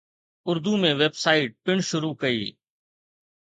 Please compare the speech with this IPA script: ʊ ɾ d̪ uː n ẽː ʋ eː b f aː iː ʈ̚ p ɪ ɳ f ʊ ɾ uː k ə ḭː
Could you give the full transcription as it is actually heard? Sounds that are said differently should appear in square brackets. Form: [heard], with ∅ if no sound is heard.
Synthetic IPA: ʊ ɾ d̪ uː [m] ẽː ʋ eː b [s] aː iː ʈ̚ p ɪ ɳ [ʃ] ʊ ɾ uː k ə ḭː